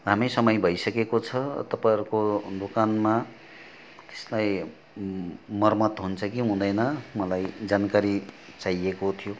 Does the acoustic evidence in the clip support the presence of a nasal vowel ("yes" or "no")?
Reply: yes